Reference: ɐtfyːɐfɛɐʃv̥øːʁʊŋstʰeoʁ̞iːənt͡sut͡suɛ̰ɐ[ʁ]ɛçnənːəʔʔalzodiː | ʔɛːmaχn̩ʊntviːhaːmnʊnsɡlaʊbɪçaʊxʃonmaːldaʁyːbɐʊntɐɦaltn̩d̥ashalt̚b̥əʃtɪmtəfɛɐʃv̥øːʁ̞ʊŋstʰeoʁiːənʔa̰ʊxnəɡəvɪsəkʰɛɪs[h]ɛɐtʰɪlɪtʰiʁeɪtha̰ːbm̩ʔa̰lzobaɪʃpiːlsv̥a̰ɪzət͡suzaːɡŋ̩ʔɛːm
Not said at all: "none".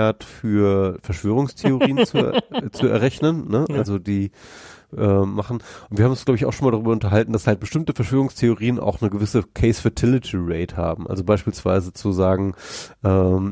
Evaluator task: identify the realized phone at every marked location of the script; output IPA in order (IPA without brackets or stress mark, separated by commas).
ʁ, f